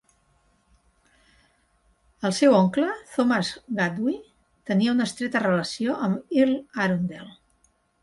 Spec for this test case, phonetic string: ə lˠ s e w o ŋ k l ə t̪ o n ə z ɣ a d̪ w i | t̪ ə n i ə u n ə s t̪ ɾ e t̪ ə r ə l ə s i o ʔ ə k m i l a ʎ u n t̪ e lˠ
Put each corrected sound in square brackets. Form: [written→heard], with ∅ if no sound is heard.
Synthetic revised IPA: ə lˠ s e w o ŋ k l ə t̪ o [n→m] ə z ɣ a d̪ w i | t̪ ə n i ə u n ə s t̪ ɾ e t̪ ə r ə l ə s i o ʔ ə [k→∅] m i l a [ʎ→ɾ] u n [t̪→d̪] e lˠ